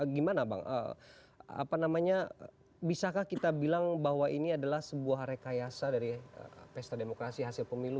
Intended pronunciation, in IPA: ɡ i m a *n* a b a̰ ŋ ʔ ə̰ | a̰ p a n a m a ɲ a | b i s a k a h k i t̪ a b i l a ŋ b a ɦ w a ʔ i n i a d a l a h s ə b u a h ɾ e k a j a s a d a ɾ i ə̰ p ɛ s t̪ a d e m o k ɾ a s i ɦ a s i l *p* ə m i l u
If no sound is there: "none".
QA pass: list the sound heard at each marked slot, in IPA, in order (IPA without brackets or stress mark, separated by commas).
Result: n, p